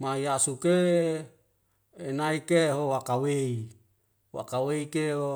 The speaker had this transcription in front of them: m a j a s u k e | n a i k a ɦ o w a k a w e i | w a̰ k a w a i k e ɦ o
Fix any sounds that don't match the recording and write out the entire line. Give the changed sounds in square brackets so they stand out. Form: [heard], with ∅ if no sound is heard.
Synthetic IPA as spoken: m a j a s u k e | n a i k [e] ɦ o w a k a w e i | w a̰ k a w [e] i k e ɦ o